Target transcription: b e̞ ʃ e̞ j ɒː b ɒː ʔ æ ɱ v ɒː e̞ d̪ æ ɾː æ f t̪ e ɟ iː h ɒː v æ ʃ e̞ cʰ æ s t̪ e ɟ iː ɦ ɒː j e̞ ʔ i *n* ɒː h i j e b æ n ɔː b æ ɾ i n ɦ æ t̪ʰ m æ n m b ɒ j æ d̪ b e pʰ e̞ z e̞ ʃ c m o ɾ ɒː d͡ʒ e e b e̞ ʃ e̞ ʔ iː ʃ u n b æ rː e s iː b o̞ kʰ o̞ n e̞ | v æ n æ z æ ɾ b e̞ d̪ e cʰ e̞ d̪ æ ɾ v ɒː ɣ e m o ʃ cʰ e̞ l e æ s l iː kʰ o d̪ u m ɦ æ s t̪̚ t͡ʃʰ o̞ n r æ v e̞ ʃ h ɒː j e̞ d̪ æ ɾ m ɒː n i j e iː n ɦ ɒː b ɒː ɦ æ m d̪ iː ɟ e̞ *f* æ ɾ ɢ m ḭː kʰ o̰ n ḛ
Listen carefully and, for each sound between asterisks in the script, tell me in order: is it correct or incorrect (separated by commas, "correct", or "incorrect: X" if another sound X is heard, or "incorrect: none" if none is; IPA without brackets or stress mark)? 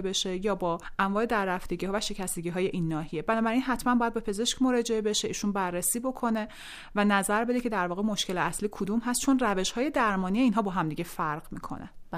incorrect: nː, correct